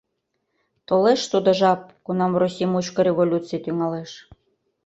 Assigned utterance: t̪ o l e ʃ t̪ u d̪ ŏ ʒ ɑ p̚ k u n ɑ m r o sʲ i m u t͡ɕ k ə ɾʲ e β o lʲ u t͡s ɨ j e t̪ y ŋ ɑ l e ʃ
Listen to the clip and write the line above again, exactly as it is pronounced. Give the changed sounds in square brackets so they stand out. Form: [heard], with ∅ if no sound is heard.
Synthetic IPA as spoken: t̪ o l e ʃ t̪ u d̪ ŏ ʒ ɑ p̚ k u n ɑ m r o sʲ i m u t͡ɕ k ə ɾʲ e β o lʲ u t͡s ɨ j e t̪ y ŋ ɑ l e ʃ